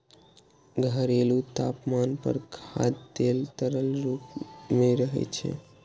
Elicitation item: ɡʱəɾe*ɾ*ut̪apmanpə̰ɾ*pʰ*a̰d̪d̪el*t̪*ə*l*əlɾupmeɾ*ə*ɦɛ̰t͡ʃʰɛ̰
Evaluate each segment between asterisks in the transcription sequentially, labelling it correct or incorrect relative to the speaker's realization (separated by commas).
incorrect, incorrect, correct, incorrect, correct